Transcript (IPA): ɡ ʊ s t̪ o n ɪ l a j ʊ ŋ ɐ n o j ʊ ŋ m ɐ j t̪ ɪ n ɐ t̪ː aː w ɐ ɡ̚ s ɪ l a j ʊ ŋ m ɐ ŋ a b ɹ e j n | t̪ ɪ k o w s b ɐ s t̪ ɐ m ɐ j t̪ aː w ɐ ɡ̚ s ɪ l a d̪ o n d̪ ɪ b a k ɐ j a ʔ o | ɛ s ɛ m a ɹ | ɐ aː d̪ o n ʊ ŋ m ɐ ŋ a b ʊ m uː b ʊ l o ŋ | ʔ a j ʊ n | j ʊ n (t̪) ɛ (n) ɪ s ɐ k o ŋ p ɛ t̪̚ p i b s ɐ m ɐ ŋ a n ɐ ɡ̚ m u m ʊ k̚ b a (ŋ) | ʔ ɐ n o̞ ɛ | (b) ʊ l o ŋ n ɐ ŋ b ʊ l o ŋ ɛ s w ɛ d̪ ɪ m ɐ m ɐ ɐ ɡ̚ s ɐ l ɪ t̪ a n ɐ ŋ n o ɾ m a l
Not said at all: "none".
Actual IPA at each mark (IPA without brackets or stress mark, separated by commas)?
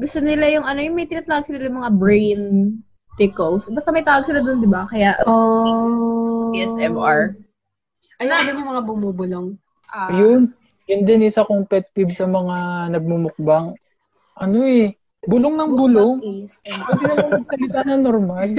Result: d̪, n, ŋ, b